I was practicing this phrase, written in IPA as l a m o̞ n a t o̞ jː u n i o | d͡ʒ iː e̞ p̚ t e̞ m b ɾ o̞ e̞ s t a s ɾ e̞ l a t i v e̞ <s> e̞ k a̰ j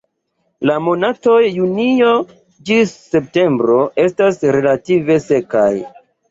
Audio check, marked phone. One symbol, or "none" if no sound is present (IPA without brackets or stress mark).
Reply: s